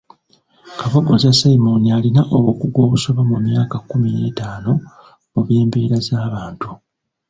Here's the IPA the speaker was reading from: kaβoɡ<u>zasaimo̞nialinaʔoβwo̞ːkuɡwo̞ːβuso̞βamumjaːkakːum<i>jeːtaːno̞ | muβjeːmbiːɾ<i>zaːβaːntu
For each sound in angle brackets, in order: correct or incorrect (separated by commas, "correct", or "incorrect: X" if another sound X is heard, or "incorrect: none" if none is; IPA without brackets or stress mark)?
incorrect: o, correct, incorrect: a